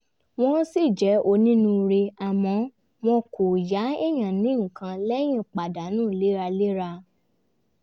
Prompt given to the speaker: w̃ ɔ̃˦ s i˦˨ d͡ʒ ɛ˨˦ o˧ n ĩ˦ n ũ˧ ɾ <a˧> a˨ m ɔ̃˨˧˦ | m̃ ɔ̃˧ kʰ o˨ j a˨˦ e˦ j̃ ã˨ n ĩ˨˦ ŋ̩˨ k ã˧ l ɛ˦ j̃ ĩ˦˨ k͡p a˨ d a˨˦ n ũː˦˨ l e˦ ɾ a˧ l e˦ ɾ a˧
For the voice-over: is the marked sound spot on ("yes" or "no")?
no